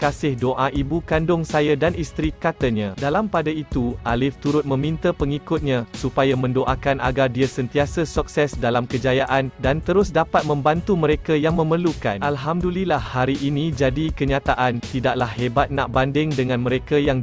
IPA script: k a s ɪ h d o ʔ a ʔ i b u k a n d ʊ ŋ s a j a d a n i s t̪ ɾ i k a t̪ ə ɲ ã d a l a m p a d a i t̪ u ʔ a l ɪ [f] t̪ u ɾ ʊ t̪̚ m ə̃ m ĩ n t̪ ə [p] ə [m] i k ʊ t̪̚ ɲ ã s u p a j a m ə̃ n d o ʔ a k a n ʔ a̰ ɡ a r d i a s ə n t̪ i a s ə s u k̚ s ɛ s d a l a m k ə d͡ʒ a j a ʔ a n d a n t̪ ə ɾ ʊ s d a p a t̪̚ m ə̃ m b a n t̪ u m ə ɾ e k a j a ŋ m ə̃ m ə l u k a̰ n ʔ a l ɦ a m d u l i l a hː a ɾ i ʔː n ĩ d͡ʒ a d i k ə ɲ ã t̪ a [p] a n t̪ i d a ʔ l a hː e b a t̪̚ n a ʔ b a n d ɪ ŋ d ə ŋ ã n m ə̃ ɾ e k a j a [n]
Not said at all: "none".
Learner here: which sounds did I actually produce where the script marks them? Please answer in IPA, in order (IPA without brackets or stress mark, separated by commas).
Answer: f, p, ŋ, ʔ, ŋ